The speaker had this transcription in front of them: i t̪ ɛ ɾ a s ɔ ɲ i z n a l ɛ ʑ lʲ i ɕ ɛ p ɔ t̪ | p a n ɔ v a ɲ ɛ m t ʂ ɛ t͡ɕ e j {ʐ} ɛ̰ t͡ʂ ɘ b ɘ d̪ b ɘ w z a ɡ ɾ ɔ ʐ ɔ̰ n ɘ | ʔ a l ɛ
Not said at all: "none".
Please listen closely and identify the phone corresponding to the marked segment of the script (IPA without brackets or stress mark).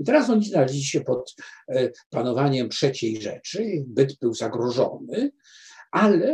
ʐ